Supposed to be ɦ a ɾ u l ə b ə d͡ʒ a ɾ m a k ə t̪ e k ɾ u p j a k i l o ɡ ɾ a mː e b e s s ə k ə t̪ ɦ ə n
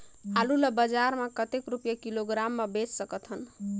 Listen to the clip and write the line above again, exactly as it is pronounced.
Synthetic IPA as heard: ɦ a l u l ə b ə d͡ʒ a ɾ m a k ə t̪ e k ɾ u p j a k i l o ɡ ɾ a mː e b e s s ə k ə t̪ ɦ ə n